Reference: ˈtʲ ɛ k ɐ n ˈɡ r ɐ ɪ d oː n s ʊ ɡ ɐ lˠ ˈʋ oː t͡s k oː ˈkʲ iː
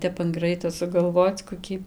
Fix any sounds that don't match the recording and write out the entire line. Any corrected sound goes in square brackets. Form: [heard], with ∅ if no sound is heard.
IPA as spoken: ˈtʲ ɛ [p] ɐ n ˈɡ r ɐ ɪ [t] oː [∅] s ʊ ɡ ɐ lˠ ˈʋ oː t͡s k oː ˈkʲ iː